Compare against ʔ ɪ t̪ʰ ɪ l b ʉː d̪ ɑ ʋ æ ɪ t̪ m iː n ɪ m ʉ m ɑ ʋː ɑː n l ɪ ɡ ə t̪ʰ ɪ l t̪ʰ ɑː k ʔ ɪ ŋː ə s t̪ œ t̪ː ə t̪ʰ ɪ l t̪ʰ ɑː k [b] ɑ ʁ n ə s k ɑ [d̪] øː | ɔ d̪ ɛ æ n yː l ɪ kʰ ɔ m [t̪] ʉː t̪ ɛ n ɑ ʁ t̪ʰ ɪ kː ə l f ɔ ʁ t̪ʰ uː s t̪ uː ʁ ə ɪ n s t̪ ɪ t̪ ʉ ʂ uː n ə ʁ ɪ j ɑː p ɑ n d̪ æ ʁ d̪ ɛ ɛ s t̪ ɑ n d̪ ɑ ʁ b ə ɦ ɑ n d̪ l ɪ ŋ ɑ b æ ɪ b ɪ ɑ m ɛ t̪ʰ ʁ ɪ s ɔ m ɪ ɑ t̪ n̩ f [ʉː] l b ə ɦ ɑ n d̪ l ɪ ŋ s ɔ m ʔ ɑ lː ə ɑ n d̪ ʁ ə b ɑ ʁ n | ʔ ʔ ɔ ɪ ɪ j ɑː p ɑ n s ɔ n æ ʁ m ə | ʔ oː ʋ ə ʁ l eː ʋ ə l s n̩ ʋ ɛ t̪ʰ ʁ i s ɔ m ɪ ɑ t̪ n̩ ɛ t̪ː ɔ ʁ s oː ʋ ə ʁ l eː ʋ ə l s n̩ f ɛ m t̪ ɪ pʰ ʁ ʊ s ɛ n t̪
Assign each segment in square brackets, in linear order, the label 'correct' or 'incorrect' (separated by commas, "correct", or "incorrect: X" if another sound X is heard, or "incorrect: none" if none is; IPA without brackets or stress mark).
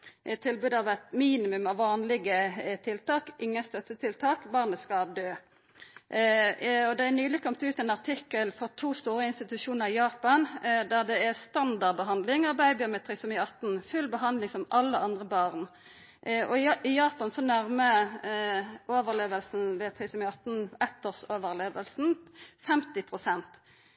correct, correct, correct, incorrect: ʉ